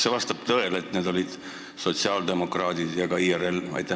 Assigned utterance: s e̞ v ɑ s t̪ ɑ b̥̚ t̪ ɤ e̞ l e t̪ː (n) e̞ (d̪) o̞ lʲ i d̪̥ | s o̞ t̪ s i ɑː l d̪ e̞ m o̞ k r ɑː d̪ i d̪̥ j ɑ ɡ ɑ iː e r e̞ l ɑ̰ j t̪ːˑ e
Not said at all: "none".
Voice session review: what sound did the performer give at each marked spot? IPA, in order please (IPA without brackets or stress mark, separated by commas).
n, d̪